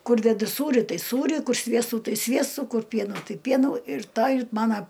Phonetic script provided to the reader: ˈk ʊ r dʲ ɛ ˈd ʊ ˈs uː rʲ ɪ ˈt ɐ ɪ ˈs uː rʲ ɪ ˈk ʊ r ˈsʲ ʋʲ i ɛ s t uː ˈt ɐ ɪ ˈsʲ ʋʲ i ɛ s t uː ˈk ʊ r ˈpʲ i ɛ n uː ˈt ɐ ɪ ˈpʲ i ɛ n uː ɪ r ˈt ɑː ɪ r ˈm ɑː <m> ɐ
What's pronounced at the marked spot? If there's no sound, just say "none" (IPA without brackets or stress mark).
n